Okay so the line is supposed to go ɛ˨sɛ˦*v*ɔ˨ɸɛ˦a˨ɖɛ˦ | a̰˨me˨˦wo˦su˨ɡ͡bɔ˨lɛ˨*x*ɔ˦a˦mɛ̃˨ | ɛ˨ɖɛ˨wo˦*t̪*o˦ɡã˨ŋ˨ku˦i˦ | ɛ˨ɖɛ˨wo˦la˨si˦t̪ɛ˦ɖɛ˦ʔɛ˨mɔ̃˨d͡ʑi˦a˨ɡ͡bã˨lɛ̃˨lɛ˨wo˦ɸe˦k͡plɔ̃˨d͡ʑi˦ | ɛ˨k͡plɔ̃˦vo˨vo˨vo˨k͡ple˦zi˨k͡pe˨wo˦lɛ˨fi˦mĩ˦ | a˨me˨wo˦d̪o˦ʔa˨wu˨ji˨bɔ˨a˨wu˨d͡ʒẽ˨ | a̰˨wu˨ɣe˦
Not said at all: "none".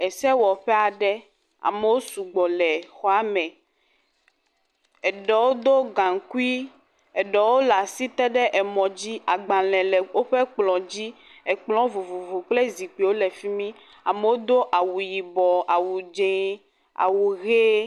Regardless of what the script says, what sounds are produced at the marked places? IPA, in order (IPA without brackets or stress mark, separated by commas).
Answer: w, x, d̪